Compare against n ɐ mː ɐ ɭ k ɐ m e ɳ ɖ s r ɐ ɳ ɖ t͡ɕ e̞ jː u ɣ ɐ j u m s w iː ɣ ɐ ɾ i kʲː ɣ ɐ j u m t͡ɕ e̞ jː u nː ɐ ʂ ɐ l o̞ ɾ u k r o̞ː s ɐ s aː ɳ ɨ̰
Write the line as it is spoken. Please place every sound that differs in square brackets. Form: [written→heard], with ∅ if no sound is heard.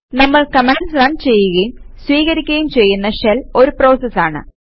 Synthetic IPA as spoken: n ɐ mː ɐ ɭ k ɐ m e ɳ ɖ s r ɐ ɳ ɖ t͡ɕ e̞ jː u ɣ ɐ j u m s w iː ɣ ɐ ɾ i kʲː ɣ ɐ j u m t͡ɕ e̞ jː u nː ɐ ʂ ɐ l o̞ ɾ u [k→p] r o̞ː s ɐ s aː ɳ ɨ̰

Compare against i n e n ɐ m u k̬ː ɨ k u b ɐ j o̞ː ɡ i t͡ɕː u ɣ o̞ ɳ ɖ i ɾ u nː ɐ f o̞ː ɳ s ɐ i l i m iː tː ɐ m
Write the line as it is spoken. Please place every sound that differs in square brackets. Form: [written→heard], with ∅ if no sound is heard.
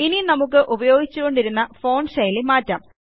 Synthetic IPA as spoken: i n [e→i] n ɐ m u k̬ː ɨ [k→ʔ] u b ɐ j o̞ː ɡ i t͡ɕː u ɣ o̞ ɳ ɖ i ɾ u nː ɐ f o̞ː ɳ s ɐ [i→j] l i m [iː→aː] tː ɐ m

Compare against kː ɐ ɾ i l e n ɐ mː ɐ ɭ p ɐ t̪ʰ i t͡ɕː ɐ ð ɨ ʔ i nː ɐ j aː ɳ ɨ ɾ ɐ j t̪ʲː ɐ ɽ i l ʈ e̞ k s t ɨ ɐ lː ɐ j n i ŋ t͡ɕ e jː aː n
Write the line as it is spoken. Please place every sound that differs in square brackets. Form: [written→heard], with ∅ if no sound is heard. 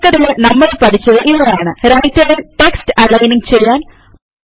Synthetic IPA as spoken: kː ɐ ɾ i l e n ɐ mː ɐ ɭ p ɐ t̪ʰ i t͡ɕː ɐ ð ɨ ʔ i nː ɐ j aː ɳ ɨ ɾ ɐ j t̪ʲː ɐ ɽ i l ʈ e̞ k s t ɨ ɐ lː ɐ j n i ŋ t͡ɕ e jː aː n

